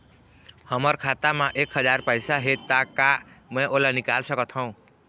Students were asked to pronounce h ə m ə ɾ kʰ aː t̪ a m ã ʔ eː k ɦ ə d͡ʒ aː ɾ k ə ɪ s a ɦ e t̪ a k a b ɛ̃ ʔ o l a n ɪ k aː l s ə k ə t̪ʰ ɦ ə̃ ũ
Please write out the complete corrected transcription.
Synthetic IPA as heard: h ə m ə ɾ kʰ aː t̪ a m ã ʔ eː k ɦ ə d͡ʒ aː ɾ p ə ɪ s a ɦ e t̪ a k a m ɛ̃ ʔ o l a n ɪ k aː l s ə k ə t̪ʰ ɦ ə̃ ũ

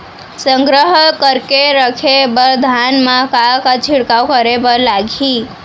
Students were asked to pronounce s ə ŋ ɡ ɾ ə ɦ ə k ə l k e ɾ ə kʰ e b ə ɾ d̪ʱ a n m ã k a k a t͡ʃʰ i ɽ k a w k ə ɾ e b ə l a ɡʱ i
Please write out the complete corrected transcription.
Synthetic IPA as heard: s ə ŋ ɡ ɾ ə ɦ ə k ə ɾ k e ɾ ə kʰ e b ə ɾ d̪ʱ a n m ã k a k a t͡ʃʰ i ɽ k a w k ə ɾ e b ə l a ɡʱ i

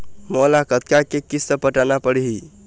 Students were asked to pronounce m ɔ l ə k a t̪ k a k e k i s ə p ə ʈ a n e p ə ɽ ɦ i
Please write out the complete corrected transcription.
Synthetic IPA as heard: m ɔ l a k ə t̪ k a k e k i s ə p ə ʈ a n a p ə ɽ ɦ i

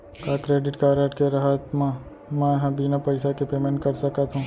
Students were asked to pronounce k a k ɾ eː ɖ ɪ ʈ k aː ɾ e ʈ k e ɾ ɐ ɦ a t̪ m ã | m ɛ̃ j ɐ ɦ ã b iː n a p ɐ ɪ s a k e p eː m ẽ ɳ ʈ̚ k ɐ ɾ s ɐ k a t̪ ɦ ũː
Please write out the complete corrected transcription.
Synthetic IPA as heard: k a k ɾ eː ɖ ɪ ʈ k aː ɾ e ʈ k e ɾ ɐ ɦ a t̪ m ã | m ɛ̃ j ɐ ɦ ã b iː n a p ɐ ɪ s a k e p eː m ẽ ɳ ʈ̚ k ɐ ɾ s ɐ k a t̪ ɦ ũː

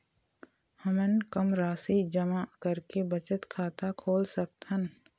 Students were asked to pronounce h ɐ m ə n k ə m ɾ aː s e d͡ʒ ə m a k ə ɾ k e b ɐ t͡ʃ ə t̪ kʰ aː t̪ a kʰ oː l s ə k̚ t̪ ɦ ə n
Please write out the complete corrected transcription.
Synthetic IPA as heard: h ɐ m ə n k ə m ɾ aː s i d͡ʒ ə m a k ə ɾ k e b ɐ t͡ʃ ə t̪ kʰ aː t̪ a kʰ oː l s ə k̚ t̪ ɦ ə n

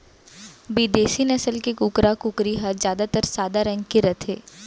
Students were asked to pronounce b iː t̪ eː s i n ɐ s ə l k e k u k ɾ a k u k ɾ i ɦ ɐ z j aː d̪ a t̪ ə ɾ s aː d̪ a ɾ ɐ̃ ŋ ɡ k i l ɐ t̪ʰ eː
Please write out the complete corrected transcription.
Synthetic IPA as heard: b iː d̪ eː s i n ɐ s ə l k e k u k ɾ a k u k ɾ i ɦ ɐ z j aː d̪ a t̪ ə ɾ s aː d̪ a ɾ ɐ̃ ŋ ɡ k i ɾ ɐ t̪ʰ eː

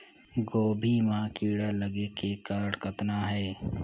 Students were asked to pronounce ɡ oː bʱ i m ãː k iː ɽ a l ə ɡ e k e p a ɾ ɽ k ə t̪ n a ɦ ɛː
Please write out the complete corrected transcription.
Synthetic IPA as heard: ɡ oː bʱ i m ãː k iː ɽ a l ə ɡ e k e k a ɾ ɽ k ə t̪ n a ɦ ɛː

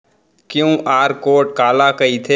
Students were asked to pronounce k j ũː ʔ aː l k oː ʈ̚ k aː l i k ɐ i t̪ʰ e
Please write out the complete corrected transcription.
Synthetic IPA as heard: k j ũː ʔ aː ɾ k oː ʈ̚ k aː l a k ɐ i t̪ʰ e

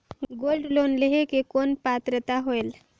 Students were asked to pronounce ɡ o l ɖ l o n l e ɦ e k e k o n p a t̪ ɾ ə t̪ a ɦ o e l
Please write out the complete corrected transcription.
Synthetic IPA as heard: ɡ o l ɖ l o n l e ɦ e k e k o n p a t̪ ɾ ə t̪ a ɦ o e l

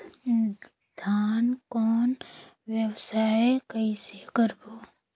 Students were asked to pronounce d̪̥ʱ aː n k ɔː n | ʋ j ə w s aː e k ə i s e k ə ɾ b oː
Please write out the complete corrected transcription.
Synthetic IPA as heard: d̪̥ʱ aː n k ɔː n | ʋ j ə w s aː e k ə i s e k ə ɾ b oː

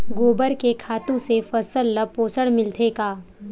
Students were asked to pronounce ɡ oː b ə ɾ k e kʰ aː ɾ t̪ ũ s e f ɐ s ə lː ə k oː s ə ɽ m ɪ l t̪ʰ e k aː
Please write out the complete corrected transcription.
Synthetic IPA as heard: ɡ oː b ə ɾ k e kʰ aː t̪ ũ s e f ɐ s ə lː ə p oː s ə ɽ m ɪ l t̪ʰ e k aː

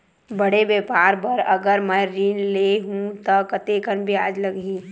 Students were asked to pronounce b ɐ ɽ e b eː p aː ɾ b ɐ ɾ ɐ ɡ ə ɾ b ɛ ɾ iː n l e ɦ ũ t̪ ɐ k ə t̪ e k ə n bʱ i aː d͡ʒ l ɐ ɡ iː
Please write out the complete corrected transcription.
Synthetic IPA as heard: b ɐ ɽ e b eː p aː ɾ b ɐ ɾ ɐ ɡ ə ɾ m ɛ ɾ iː n l e ɦ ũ t̪ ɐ k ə t̪ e k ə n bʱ i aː d͡ʒ l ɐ ɡ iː

